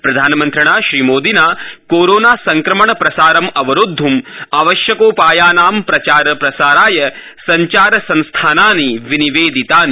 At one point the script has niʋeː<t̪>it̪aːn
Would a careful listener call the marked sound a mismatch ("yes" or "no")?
yes